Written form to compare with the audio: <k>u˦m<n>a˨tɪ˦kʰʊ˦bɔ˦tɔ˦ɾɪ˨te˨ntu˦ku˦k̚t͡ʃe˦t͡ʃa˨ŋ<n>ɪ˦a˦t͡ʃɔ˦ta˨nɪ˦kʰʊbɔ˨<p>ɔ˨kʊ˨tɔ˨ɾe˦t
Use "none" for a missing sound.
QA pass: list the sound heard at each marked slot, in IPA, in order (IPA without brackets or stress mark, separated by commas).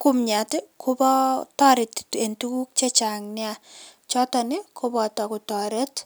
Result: k, ɲ, n, t